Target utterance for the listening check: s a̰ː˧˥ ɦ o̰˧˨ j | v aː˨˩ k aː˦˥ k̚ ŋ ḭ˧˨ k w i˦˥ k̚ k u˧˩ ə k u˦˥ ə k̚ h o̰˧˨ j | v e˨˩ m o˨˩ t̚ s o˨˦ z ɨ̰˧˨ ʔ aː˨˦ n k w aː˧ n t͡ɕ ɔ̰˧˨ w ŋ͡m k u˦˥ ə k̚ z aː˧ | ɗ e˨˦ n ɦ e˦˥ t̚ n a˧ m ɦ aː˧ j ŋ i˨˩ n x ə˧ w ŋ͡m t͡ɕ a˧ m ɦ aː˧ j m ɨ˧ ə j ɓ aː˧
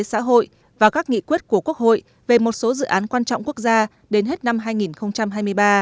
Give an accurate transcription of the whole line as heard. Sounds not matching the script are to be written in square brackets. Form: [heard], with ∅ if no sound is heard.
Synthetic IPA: s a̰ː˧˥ ɦ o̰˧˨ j | v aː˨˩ k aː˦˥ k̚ ŋ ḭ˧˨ k w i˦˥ [t̚] k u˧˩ ə k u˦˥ ə k̚ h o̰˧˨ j | v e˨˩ m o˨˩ t̚ s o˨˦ z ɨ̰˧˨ ʔ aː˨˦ n k w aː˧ n t͡ɕ ɔ̰˧˨ w ŋ͡m k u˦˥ ə k̚ z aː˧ | ɗ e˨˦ n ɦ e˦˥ t̚ n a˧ m ɦ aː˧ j ŋ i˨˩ n x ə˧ w ŋ͡m t͡ɕ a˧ m ɦ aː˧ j m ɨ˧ ə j ɓ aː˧